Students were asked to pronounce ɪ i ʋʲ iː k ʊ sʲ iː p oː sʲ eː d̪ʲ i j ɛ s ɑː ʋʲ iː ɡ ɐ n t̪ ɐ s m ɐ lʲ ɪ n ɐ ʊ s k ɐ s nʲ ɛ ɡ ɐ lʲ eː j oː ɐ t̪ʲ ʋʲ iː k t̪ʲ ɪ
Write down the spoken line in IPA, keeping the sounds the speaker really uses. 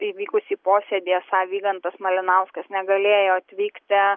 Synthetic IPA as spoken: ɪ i ʋʲ iː k ʊ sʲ iː p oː sʲ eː d̪ʲ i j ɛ s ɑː ʋʲ iː ɡ ɐ n t̪ ɐ s m ɐ lʲ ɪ n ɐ ʊ s k ɐ s nʲ ɛ ɡ ɐ lʲ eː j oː ɐ t̪ʲ ʋʲ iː k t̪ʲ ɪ